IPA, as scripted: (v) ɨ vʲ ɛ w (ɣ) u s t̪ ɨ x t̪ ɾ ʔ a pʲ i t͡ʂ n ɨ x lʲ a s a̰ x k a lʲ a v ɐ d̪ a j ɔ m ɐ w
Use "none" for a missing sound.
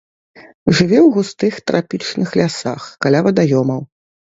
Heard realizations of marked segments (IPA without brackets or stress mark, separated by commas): ʐ, ɣ